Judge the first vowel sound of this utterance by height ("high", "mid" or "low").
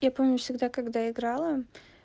low